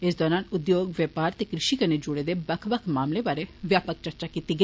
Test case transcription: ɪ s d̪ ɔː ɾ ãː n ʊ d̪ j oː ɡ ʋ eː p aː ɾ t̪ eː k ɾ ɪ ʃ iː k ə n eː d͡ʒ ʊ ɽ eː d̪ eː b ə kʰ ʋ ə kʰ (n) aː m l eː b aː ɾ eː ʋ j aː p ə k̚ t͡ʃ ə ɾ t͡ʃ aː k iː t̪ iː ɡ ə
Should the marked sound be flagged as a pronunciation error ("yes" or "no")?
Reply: yes